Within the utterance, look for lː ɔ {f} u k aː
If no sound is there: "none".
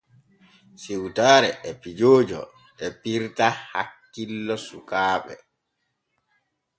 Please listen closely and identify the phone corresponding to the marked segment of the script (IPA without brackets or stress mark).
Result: s